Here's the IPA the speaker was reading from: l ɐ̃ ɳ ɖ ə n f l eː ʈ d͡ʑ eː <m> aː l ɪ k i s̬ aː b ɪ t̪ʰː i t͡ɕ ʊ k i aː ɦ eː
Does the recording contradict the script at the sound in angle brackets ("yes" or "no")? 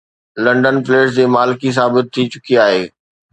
no